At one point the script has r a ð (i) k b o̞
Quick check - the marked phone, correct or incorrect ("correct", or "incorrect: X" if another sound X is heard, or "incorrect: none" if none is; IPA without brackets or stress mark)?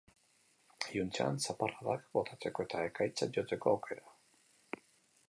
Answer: incorrect: a